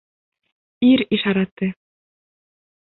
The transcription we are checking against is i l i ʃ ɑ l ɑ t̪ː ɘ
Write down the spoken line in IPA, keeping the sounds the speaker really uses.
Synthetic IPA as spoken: i ɾ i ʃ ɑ ɾ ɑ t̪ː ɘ